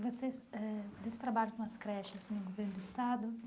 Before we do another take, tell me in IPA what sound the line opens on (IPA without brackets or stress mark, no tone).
v